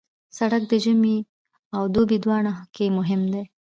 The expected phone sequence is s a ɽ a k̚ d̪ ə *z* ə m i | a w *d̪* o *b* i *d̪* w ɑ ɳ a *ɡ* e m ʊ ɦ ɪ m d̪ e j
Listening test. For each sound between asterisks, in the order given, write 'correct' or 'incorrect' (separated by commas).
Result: incorrect, correct, correct, correct, incorrect